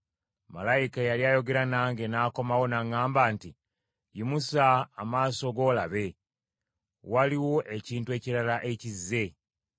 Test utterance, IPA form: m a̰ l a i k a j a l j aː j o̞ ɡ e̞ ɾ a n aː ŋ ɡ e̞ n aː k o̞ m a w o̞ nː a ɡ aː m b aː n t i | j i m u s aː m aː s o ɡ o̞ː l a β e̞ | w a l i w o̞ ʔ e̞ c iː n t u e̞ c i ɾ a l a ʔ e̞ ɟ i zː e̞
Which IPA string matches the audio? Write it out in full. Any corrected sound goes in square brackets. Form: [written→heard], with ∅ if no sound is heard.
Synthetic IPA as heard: m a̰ l a i k a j a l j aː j o̞ ɡ e̞ ɾ a n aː ŋ ɡ e̞ n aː k o̞ m a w o̞ [nː→n] a [ɡ→ŋ] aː m b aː n t i | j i m u s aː m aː s o ɡ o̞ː l a β e̞ | w a l i w o̞ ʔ e̞ c iː n t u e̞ c i ɾ a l a ʔ e̞ [ɟ→c] i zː e̞